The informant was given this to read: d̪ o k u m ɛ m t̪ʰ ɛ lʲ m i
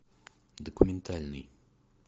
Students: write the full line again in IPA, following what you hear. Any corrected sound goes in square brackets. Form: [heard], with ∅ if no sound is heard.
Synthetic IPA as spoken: d̪ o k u m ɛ [n] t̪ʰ [a] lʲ [n] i